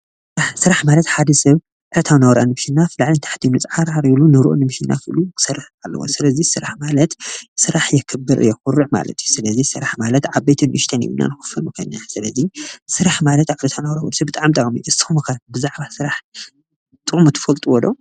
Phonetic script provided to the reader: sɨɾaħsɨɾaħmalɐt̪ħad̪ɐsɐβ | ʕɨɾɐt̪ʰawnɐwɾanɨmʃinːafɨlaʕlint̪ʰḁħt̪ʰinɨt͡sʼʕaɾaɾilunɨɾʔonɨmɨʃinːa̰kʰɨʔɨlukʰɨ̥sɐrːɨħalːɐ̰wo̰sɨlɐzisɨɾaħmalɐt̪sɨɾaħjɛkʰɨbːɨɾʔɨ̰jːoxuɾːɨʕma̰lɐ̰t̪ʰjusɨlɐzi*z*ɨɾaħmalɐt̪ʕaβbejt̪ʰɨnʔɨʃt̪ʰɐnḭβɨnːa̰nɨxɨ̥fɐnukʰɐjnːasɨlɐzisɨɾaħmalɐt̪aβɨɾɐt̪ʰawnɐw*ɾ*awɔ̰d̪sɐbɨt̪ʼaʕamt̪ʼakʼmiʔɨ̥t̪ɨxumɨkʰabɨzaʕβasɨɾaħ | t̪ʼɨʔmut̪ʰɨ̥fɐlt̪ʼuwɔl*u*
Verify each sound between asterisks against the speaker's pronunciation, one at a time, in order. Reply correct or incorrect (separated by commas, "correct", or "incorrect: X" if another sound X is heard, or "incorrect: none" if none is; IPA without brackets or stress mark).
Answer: incorrect: s, correct, incorrect: o